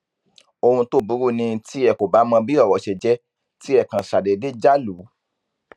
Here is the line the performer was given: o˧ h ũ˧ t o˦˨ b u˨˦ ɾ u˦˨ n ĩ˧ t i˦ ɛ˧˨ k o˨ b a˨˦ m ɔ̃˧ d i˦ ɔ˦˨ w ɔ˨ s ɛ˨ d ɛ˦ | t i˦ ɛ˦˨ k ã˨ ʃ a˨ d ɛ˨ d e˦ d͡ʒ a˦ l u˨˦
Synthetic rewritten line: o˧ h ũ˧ t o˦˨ b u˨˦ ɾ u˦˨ n ĩ˧ t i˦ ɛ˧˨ k o˨ b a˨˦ m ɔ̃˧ b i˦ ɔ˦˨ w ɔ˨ ʃ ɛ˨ d͡ʒ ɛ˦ | t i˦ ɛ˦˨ k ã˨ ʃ a˨ d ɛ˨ d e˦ d͡ʒ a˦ l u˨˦